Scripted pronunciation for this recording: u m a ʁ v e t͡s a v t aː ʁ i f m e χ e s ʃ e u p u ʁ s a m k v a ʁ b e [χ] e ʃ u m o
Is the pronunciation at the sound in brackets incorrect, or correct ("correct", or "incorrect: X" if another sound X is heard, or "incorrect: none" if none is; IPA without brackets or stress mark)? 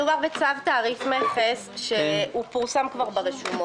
incorrect: ʁ